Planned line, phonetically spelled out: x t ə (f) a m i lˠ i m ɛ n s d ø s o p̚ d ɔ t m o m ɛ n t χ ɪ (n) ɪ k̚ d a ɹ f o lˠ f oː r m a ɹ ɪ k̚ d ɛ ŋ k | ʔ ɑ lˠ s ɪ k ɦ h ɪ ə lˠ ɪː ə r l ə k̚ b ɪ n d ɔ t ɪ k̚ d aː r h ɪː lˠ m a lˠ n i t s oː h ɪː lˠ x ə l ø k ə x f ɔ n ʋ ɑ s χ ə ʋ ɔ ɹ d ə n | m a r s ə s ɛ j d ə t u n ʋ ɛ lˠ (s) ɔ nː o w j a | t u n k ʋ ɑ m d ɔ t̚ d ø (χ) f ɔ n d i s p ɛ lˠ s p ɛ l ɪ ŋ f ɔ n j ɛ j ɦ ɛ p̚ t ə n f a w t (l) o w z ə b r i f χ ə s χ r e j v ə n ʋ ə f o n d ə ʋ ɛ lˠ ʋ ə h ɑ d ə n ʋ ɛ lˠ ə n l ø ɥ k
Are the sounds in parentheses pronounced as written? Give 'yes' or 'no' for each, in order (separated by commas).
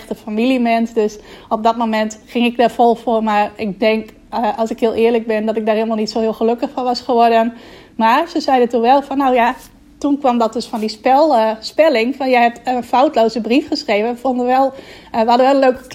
yes, no, no, no, yes